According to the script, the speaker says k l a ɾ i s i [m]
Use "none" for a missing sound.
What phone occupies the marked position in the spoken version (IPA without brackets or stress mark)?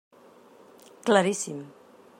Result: m